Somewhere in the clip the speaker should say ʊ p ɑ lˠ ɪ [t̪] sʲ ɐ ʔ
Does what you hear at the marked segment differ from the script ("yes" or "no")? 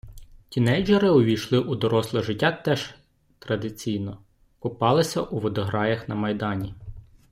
yes